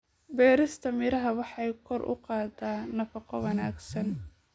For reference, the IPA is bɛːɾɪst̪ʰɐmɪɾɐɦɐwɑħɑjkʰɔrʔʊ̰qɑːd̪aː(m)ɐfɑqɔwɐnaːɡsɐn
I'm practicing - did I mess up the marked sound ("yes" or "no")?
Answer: yes